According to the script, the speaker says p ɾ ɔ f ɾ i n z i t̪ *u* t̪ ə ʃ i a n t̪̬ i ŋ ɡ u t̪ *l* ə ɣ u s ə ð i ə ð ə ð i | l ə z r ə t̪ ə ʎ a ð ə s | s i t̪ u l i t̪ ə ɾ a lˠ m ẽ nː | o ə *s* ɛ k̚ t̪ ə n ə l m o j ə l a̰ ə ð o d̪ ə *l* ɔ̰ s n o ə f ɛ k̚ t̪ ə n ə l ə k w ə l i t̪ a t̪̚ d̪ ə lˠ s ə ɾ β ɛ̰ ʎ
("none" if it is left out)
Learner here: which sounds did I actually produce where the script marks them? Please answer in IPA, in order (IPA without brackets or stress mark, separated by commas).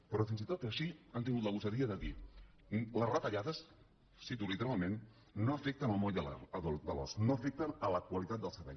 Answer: o, l, f, l